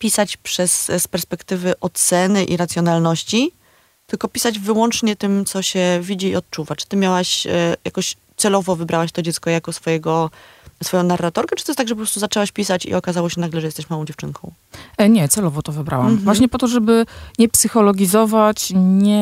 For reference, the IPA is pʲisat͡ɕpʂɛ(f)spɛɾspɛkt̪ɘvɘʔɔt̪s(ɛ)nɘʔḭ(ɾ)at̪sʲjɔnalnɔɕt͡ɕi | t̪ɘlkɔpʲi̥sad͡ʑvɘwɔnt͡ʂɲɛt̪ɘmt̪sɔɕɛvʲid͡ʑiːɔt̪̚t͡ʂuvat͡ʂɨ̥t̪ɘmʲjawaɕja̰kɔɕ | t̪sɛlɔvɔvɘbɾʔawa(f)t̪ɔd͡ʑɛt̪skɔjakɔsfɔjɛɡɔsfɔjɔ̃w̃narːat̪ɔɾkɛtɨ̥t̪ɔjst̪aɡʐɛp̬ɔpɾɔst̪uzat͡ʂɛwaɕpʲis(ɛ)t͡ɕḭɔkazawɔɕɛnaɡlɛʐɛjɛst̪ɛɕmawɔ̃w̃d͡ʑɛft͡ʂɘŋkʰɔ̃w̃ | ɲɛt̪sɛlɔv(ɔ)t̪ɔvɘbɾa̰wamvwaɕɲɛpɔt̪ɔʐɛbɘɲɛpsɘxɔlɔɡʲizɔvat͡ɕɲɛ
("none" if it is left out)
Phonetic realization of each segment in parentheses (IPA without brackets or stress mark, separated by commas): s, ɛ, ɾ, ɕ, a, ɔ